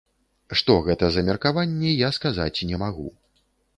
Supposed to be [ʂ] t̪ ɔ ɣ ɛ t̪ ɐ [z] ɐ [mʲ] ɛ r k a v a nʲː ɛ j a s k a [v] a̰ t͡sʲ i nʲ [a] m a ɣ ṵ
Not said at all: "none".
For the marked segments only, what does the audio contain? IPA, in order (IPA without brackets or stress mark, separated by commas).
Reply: ʂ, z, mʲ, z, ɛ